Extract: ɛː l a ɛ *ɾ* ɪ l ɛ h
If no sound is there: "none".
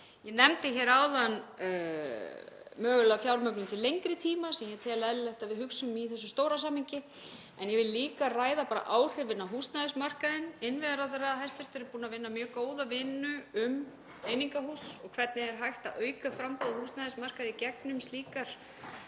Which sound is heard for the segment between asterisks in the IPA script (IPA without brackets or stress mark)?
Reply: l